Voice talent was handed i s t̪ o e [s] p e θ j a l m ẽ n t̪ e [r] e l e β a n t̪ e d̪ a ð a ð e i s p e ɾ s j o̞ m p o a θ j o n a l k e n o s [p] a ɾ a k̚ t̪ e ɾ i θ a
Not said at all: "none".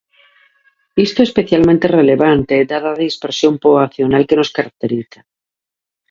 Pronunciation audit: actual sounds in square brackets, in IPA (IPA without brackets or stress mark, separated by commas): s, r, k